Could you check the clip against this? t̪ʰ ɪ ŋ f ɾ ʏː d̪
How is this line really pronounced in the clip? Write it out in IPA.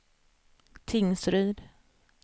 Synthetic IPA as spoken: t̪ʰ ɪ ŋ s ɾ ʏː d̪